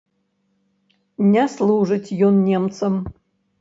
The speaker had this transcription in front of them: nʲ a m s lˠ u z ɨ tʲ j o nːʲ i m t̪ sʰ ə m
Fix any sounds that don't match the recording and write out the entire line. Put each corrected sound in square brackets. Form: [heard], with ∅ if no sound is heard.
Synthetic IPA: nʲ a [∅] s lˠ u [ʐ] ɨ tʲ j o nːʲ [e] m t̪ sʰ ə m